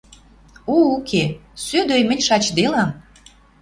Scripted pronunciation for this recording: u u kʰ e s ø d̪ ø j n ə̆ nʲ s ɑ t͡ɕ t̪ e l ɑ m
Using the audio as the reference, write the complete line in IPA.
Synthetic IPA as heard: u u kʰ e s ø d̪ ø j m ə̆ nʲ ʃ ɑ t͡ɕ d̪ e l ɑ m